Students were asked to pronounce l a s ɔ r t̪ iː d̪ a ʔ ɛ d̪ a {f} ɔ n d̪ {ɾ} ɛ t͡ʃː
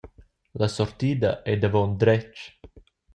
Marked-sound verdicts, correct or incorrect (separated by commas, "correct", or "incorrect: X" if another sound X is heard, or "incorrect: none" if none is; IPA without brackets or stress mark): incorrect: v, correct